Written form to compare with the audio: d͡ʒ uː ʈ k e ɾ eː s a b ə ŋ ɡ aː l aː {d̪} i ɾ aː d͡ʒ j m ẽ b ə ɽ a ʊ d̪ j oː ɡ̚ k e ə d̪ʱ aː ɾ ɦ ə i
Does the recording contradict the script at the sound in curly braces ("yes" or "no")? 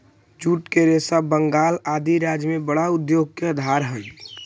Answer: no